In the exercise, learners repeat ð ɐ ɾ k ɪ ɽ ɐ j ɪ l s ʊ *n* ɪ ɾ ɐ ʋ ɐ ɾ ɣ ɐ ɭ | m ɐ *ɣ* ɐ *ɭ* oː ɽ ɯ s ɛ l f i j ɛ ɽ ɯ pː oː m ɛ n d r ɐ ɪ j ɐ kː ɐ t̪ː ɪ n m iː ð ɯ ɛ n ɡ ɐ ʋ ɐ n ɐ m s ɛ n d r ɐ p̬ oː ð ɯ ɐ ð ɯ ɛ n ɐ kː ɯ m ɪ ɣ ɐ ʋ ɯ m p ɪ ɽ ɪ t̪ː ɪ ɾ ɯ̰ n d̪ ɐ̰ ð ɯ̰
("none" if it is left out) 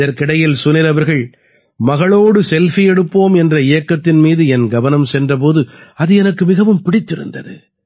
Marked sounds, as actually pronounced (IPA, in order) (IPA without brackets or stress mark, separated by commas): n, ɣ, ɭ